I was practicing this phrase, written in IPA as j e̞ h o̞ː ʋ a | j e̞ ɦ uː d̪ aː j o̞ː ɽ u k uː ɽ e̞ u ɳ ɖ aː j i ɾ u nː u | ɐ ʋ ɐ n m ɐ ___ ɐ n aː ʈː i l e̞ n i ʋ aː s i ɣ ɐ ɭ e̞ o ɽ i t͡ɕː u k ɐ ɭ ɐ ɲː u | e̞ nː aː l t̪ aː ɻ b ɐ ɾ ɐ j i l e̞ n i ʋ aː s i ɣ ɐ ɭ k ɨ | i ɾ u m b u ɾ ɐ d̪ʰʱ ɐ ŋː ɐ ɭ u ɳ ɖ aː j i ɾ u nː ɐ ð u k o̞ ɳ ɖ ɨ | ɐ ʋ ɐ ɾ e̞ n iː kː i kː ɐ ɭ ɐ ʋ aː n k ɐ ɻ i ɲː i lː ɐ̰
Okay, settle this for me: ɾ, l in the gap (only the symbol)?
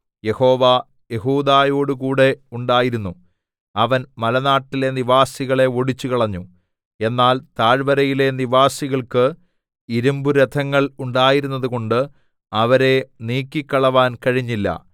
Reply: l